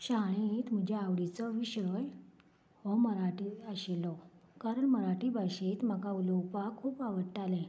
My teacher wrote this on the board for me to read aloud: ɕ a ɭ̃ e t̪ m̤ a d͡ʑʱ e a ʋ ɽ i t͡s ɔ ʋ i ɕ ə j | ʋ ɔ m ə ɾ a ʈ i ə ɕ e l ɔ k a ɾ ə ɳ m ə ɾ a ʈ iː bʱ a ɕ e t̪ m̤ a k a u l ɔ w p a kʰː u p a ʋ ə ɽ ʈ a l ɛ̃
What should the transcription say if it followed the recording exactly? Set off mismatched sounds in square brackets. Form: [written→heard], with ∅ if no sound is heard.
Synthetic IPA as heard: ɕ a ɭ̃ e t̪ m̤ [a→ə] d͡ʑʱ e a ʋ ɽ i t͡s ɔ ʋ i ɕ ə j | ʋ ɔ m ə ɾ a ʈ i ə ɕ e l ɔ k a ɾ ə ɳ m ə ɾ a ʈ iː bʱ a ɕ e t̪ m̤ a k a u l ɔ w p a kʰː [u→uː] p a ʋ ə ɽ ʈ a l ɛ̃